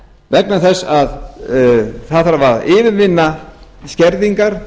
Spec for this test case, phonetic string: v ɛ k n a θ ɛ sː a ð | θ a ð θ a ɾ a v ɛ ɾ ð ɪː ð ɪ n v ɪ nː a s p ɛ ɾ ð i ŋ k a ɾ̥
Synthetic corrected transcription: v ɛ k n a θ ɛ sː a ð | θ a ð θ a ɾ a v a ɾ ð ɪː v ɪ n v ɪ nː a s c ɛ ɾ ð i ŋ k a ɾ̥